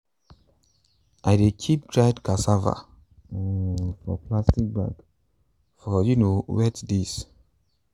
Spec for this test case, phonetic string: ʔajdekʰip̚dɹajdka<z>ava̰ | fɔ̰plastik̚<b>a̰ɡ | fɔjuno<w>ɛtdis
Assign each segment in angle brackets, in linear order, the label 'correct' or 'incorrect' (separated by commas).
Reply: incorrect, correct, correct